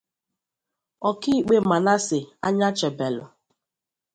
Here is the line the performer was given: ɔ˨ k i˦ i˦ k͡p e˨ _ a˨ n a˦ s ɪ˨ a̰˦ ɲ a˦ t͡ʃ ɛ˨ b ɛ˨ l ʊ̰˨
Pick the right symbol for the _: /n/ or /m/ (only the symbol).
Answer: m